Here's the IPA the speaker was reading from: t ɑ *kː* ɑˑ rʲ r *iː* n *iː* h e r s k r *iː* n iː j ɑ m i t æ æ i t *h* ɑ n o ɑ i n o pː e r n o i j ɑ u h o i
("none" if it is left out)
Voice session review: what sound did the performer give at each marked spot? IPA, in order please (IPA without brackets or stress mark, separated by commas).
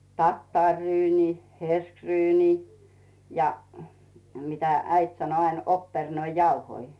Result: tː, yː, iː, yː, s